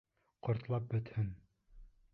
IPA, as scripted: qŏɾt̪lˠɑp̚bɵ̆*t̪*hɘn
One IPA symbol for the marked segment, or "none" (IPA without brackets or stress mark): t̪